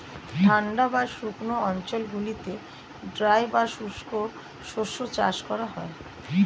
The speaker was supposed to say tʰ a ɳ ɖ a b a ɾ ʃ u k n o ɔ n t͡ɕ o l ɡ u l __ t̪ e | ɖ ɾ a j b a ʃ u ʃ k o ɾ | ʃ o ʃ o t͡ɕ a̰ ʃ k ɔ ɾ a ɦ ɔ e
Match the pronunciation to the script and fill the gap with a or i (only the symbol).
i